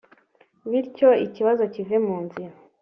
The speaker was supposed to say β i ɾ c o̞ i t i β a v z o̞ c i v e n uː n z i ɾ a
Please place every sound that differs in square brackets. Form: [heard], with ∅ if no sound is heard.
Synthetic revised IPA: β i ɾ c o̞ i [c] i β a [∅] z o̞ c i v e [m] uː n z i ɾ a